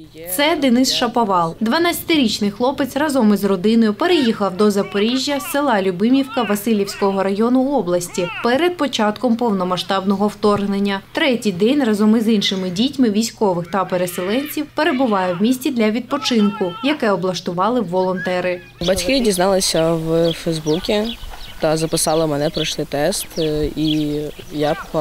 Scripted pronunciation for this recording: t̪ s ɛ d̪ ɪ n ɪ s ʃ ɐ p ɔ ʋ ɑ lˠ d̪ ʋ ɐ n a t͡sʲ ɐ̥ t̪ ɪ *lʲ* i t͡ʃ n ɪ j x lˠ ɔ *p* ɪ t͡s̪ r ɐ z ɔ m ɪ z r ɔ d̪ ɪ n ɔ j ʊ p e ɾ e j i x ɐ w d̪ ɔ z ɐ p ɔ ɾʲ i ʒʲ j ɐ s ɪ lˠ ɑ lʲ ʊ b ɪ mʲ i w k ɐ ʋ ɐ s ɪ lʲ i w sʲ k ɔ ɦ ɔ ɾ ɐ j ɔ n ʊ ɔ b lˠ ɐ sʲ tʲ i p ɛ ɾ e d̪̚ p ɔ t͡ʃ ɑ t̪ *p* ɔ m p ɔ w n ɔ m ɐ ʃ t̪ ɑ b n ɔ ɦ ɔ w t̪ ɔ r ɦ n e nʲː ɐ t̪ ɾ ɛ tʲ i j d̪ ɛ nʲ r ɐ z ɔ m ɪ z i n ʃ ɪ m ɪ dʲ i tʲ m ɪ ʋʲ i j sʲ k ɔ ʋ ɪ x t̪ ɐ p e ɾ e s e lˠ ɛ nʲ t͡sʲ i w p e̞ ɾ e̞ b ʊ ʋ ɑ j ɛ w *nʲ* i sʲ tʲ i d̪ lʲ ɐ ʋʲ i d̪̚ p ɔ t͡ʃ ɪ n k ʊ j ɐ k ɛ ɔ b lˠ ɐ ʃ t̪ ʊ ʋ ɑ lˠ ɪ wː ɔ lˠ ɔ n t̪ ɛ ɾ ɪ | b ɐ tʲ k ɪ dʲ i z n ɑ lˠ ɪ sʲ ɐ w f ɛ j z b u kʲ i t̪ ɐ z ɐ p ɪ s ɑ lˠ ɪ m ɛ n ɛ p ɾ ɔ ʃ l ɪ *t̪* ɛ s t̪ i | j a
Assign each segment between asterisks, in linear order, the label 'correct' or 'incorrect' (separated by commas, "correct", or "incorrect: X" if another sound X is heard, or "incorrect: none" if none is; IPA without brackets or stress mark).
incorrect: ɾʲ, correct, incorrect: k, incorrect: mʲ, correct